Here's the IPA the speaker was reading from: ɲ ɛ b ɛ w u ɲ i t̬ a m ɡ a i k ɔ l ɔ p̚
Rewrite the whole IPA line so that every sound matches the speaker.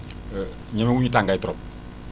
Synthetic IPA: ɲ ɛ m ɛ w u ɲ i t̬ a ŋ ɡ a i t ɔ ɾ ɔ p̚